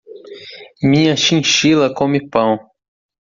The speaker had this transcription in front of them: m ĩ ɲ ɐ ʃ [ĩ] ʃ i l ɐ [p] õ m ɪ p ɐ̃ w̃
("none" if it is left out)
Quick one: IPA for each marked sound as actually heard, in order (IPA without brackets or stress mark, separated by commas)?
ĩ, k